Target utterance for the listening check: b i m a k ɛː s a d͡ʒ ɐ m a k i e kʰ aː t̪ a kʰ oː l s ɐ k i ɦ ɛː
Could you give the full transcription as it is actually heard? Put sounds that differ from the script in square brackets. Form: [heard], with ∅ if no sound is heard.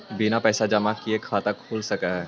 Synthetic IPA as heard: b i [n] a [p] ɛː s a d͡ʒ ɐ m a k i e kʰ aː t̪ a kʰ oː l s ɐ k [a] ɦ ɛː